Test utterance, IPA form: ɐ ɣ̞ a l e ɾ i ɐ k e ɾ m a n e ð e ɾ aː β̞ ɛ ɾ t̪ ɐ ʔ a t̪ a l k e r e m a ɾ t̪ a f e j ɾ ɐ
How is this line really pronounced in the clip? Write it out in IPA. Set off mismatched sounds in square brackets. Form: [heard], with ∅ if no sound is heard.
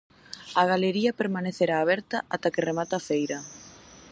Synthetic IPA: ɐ ɣ̞ a l e ɾ i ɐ [p] e ɾ m a n e [θ] e ɾ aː β̞ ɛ ɾ t̪ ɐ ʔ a t̪ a [∅] k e r e m a [∅] t̪ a f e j ɾ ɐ

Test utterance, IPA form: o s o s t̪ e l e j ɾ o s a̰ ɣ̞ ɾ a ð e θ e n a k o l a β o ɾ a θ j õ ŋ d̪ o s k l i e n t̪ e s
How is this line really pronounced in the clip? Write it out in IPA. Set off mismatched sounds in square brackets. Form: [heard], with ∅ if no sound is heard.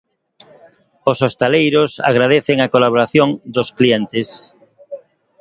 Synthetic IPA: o s o s t̪ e l e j ɾ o s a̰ ɣ̞ ɾ a ð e θ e [ŋ] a k o l a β o ɾ a θ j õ ŋ d̪ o s k l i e n t̪ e s

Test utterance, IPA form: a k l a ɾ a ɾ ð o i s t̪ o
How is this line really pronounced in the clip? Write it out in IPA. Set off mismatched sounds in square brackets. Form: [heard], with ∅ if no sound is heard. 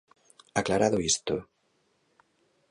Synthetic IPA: a k l a ɾ a [∅] ð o i s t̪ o

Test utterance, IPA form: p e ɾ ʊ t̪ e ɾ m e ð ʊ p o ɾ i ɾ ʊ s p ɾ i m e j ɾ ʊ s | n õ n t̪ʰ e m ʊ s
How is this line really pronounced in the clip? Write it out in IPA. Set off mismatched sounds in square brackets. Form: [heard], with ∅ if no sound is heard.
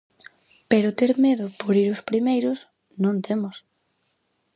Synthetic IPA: p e ɾ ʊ t̪ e ɾ m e ð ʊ p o ɾ i ɾ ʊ s p ɾ i m e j ɾ ʊ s | n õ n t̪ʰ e m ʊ s

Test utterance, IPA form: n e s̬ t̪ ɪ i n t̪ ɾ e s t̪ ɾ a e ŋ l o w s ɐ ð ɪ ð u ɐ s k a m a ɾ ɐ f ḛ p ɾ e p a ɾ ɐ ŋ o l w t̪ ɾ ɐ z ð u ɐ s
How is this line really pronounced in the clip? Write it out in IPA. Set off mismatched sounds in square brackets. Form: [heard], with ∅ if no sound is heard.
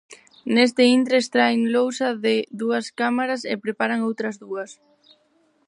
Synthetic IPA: n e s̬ t̪ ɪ i n t̪ ɾ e s t̪ ɾ a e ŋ l o w s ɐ ð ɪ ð u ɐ s k a m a ɾ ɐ [s] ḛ p ɾ e p a ɾ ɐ ŋ o [∅] w t̪ ɾ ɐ z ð u ɐ s

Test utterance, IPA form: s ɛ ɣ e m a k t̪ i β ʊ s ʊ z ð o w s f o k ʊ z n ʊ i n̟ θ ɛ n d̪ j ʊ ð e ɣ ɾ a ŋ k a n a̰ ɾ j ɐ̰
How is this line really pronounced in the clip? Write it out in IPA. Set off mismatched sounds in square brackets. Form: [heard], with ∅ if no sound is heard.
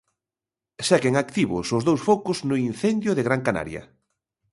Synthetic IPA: s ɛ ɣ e [ŋ] a k t̪ i β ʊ s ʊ z ð o w s f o k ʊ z n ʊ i n̟ θ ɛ n d̪ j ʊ ð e ɣ ɾ a ŋ k a n a̰ ɾ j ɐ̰

